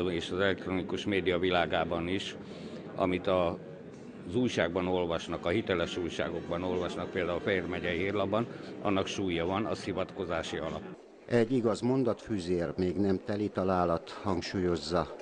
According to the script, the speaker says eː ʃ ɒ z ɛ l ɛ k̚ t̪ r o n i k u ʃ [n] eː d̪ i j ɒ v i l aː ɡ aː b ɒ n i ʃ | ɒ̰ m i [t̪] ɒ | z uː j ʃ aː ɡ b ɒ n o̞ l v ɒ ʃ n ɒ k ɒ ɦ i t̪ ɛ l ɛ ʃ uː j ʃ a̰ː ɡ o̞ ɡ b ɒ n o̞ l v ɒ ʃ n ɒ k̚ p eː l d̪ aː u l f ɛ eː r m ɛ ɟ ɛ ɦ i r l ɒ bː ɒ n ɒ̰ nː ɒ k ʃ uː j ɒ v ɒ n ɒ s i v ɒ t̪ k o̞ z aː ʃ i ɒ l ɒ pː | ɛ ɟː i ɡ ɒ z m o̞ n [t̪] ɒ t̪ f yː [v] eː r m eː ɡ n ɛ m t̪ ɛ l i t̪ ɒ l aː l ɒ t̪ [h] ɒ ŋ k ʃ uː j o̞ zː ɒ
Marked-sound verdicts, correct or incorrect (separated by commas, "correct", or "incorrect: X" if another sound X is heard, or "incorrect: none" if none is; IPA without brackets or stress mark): incorrect: m, correct, incorrect: d̪, incorrect: z, correct